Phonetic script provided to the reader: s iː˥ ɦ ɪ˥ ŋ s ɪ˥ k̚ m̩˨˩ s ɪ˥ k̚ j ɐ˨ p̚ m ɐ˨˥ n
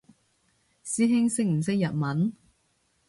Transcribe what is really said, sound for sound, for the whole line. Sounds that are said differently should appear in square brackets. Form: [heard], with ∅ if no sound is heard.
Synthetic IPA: s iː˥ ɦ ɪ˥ ŋ s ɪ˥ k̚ m̩˨˩ s ɪ˥ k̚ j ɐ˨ [t̚] m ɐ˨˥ n